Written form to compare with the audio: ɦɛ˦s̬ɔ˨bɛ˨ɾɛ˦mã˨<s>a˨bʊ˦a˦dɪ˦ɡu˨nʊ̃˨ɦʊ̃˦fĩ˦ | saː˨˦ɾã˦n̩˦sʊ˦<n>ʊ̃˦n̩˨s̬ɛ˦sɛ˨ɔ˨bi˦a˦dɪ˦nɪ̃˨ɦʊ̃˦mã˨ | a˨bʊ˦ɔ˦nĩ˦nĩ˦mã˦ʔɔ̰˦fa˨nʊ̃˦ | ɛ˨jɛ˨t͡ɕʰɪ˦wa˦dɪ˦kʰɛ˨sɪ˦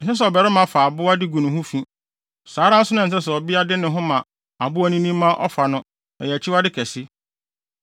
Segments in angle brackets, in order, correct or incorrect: incorrect, correct

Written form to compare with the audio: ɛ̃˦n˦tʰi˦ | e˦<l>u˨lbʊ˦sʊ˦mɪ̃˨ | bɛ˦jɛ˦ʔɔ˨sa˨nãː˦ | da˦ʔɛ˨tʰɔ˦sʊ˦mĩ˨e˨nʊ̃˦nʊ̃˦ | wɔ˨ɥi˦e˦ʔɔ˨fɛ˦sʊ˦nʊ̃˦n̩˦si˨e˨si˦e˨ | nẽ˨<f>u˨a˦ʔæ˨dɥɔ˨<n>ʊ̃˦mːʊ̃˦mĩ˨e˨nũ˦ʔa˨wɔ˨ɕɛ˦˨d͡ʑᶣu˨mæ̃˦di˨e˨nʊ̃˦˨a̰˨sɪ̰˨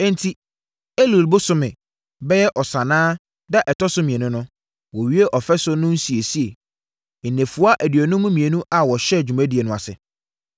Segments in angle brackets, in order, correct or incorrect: correct, correct, correct

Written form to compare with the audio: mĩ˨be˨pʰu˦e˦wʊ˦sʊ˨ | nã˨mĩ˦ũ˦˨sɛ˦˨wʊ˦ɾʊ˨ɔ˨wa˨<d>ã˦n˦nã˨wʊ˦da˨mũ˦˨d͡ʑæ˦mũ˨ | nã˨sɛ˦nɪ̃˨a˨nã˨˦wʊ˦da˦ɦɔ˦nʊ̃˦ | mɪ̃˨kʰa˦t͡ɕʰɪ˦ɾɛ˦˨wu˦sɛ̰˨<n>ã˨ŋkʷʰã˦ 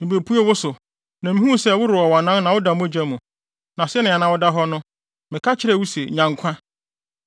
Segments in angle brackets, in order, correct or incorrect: incorrect, incorrect

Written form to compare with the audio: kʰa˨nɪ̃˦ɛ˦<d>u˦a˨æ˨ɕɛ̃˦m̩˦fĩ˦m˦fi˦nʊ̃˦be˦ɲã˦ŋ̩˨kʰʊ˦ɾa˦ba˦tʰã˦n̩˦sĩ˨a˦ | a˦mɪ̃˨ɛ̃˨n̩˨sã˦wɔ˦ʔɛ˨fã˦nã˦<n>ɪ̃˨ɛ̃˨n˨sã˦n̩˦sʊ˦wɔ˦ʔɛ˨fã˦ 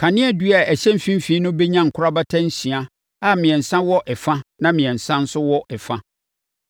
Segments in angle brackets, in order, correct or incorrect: correct, incorrect

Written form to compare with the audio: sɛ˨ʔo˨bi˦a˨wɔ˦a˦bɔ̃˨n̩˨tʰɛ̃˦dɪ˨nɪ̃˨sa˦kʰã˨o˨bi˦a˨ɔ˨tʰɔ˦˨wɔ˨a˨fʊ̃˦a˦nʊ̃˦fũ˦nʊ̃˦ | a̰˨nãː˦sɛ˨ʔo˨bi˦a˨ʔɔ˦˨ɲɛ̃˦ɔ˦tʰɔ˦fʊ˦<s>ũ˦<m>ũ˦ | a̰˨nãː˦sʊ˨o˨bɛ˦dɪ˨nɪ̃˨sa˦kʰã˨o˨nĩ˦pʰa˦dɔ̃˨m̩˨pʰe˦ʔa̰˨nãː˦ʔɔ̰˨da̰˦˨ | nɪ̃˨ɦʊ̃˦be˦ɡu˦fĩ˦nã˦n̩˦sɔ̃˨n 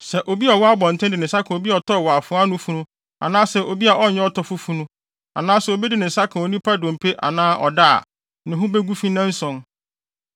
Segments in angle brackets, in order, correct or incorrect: incorrect, incorrect

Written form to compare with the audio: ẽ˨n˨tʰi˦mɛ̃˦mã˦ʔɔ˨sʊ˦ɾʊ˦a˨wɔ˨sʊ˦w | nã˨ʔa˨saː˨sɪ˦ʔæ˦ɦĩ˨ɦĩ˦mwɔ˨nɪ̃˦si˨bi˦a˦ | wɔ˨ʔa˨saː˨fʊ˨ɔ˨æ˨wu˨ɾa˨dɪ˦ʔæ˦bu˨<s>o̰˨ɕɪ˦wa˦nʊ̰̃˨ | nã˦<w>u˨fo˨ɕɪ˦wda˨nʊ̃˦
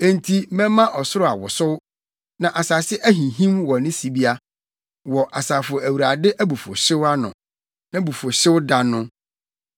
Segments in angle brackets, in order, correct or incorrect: incorrect, incorrect

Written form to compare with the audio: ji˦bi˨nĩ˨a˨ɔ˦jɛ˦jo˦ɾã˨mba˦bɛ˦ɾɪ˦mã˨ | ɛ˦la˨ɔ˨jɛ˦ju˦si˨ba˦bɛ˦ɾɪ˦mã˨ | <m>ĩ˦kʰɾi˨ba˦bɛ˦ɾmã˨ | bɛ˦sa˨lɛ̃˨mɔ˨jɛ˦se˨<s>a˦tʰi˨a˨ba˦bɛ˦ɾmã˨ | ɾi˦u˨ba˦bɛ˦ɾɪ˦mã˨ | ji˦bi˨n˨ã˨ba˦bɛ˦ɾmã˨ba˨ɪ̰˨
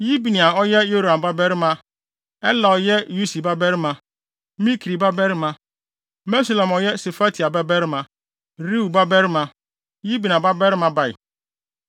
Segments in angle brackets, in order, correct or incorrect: correct, incorrect

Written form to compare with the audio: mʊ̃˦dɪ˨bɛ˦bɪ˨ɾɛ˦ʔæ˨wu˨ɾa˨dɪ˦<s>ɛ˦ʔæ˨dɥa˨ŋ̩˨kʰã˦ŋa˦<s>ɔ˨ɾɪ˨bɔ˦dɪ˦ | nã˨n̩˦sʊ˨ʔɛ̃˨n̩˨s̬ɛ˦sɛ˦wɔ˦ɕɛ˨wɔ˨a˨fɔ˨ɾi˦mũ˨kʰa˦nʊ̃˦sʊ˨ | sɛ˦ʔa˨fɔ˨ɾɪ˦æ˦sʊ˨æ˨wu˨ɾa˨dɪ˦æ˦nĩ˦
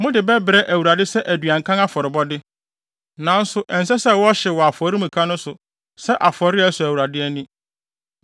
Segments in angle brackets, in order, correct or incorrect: correct, incorrect

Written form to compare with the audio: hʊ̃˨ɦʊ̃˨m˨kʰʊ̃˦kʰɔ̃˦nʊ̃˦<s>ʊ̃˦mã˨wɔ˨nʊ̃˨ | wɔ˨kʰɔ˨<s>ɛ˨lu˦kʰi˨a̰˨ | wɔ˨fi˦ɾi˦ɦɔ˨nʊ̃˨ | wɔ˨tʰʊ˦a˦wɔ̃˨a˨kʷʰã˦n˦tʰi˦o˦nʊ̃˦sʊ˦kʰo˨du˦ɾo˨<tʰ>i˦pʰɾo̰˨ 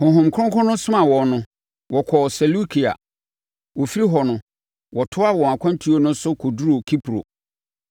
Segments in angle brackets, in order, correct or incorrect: correct, correct, incorrect

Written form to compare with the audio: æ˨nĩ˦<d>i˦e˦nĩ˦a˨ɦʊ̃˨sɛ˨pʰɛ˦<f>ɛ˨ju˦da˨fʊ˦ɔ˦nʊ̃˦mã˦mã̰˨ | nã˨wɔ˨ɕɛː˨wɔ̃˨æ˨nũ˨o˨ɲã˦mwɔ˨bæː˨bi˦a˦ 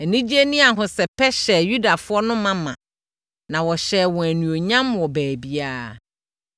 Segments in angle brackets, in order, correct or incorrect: incorrect, incorrect

